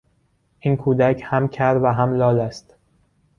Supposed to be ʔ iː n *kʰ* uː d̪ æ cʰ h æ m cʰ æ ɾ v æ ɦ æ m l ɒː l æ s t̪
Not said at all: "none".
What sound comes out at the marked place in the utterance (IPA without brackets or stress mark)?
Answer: kʰ